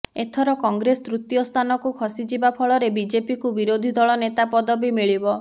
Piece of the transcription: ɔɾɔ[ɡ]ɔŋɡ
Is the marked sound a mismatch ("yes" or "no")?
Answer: yes